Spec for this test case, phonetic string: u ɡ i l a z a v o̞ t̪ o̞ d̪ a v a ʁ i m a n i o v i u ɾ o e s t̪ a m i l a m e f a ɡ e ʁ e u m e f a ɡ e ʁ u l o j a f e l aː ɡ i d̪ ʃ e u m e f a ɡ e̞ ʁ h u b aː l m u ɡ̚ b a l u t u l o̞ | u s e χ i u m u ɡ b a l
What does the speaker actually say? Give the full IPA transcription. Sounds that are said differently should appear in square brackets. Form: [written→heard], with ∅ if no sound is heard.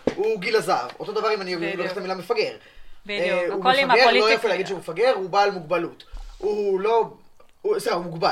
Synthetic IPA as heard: u ɡ i l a z a v o̞ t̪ o̞ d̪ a v a ʁ i m a n i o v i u [ɾ→l] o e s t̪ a m i l a m e f a ɡ e ʁ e u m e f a ɡ e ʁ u l o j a f e l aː ɡ i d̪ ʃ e u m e f a ɡ e̞ ʁ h u b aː l m u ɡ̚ b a l u t u l o̞ | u s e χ [i→a] u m u ɡ b a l